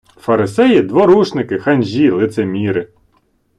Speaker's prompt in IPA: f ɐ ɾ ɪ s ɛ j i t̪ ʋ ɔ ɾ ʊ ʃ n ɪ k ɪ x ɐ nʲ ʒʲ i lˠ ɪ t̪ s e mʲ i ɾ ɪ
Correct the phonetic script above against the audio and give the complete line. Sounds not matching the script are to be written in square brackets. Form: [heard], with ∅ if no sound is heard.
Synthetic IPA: f ɐ ɾ ɪ s ɛ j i [d̪] ʋ ɔ ɾ [u] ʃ n ɪ k ɪ x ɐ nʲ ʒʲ i lˠ ɪ t̪ s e mʲ i ɾ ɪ